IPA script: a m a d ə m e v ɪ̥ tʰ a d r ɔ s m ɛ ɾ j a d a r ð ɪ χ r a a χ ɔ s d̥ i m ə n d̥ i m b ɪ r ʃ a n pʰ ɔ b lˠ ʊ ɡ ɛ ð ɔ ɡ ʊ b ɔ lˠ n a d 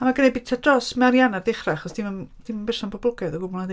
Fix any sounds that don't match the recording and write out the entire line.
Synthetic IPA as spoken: a m a ɡ ə n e b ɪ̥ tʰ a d r ɔ s m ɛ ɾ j a n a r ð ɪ χ r a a χ ɔ s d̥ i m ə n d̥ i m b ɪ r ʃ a n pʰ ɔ b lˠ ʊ ɡ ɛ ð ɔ ɡ ʊ b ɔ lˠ n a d